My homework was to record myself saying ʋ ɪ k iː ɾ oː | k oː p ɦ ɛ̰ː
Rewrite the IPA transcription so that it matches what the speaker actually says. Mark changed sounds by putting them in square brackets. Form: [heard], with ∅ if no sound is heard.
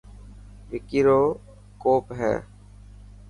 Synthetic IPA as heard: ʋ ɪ k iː ɾ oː | k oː p ɦ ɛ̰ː